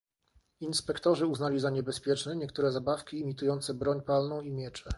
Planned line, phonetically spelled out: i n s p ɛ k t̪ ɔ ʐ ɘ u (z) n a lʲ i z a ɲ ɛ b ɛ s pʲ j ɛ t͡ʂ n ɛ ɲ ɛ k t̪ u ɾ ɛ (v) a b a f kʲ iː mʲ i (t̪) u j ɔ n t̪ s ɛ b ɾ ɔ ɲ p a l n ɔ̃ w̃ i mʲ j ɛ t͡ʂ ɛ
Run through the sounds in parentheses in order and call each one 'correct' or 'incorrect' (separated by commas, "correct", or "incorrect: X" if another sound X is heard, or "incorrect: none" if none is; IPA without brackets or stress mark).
correct, incorrect: z, correct